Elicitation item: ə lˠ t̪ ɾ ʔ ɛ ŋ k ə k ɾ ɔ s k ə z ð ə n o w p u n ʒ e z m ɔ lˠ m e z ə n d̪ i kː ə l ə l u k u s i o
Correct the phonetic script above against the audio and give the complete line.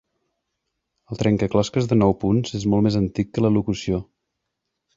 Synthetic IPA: ə lˠ t̪ ɾ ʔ ɛ ŋ k ə k l ɔ s k ə z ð ə n ɔ w p u n z e z m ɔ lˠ m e z ə n t̪ i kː ə l ə l u k u s i o

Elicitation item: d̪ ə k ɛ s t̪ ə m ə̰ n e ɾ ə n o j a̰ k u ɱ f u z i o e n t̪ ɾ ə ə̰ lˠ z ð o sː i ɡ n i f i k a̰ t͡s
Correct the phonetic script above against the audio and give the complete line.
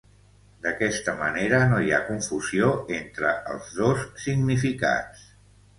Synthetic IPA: d̪ ə k ɛ s t̪ ə m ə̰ n e ɾ ə n o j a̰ k u ɱ f u z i o e n t̪ ɾ ə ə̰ lˠ z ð o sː i ɡ n i f i k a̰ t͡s

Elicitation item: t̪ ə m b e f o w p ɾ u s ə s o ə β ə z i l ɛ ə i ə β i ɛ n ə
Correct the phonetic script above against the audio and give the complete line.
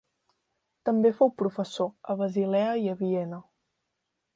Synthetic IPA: t̪ ə m b e f o w p ɾ u f ə s o ə β ə z i l ɛ ə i ə β i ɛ n ə

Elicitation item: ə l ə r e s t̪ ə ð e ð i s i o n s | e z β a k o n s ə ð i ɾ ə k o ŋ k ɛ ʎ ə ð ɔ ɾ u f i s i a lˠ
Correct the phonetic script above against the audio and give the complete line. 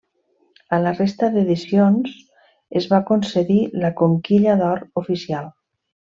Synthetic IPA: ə l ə r e s t̪ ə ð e ð i s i o n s | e z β a k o n s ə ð i l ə k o ŋ k i ʎ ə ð ɔ ɾ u f i s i a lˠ

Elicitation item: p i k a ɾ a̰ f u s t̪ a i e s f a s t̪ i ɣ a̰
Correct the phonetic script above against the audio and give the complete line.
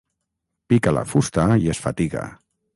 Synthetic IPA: p i k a l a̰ f u s t̪ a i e s f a t̪ i ɣ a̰

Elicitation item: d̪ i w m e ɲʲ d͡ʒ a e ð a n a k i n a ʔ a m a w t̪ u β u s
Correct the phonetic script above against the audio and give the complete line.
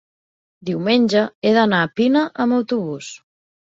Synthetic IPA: d̪ i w m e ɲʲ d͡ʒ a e ð a n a p i n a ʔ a m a w t̪ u β u s

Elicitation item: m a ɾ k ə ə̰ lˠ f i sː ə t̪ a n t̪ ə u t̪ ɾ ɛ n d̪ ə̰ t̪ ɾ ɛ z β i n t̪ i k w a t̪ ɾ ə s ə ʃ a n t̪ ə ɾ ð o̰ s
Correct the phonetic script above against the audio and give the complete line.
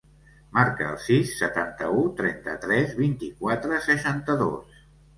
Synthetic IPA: m a ɾ k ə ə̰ lˠ s i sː ə t̪ a n t̪ ə u t̪ ɾ ɛ n t̪ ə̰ t̪ ɾ ɛ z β i n t̪ i k w a t̪ ɾ ə s ə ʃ a n t̪ ə ð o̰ s

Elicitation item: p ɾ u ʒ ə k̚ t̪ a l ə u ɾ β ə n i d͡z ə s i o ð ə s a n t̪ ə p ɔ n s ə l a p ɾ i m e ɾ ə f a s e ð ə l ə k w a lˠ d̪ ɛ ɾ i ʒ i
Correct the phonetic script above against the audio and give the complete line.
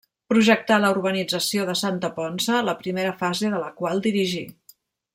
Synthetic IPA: p ɾ u ʒ ə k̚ t̪ a l ə u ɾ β ə n i d͡z ə s i o ð ə s a n t̪ ə p ɔ n s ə l ə p ɾ i m e ɾ ə f a z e ð ə l ə k w a lˠ d̪ i ɾ i ʒ i

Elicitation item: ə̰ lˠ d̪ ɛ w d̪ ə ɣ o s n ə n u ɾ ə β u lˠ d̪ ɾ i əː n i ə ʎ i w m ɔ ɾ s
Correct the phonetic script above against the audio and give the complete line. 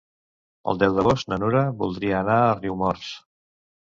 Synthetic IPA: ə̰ lˠ d̪ ɛ w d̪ ə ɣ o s n ə n u ɾ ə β u lˠ d̪ ɾ i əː n a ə r i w m ɔ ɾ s

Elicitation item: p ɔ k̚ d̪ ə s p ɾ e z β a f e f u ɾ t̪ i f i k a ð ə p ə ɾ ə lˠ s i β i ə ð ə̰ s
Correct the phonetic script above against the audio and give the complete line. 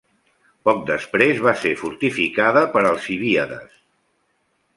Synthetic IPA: p ɔ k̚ d̪ ə s p ɾ e z β a s e f u ɾ t̪ i f i k a ð ə p ə ɾ ə lˠ s i β i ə ð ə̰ s

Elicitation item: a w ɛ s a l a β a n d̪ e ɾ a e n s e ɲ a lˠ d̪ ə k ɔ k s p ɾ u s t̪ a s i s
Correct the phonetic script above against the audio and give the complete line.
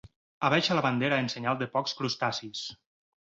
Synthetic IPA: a β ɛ ʃ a l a β a n d̪ e ɾ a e n s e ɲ a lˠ d̪ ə p ɔ k s k ɾ u s t̪ a s i s

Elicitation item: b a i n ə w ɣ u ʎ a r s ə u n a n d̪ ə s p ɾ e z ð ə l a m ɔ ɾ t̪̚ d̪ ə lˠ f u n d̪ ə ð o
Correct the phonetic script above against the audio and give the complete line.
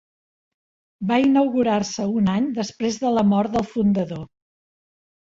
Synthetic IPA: b a i n ə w ɣ u ɾ a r s ə u n a ɲ d̪ ə s p ɾ e z ð ə l ə m ɔ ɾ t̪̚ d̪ ə lˠ f u n d̪ ə ð o

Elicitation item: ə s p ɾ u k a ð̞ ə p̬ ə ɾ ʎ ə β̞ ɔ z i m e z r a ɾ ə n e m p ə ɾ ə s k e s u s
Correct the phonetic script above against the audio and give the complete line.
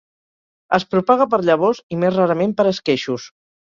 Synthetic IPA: ə s p ɾ u p a ɣ̞ ə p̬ ə ɾ ʎ ə β̞ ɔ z i m e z r a ɾ ə m e m p ə ɾ ə s k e ʃ u s

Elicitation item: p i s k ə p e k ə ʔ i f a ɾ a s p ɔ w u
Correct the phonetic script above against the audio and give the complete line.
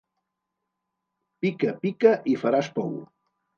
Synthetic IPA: p i k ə p i k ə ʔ i f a ɾ a s p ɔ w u

